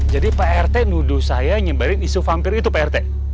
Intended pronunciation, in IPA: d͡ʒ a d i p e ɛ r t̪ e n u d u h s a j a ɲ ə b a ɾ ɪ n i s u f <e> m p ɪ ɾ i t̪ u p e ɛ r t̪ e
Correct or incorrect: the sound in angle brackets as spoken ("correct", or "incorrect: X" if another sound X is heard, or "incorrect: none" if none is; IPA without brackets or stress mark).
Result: incorrect: a